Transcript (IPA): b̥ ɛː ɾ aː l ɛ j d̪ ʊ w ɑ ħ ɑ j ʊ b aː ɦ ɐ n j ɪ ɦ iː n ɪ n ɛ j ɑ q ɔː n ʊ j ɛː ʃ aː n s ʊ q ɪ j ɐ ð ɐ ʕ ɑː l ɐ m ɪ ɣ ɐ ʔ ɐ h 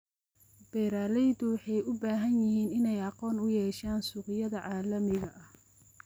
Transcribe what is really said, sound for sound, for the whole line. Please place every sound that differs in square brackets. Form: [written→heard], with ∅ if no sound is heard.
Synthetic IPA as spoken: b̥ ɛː ɾ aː l ɛ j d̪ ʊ w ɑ ħ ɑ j ʊ b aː ɦ ɐ n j ɪ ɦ iː n ɪ n ɛ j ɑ q ɔː n ʊ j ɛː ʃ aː n s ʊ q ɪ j ɐ ð ɐ ʕ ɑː l ɐ m ɪ ɣ ɐ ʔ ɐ h